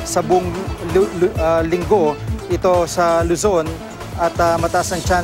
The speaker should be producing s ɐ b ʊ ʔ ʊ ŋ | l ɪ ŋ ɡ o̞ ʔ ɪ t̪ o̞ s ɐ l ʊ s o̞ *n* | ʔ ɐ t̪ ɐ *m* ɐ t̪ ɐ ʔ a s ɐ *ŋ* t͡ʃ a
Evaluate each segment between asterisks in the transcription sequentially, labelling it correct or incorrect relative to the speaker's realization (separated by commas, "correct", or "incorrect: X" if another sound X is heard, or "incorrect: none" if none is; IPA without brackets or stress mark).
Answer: correct, correct, correct